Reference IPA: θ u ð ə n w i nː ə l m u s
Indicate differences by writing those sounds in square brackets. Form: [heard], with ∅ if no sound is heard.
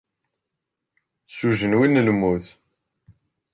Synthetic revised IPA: [s] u [ʒ] ə n w i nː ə l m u [θ]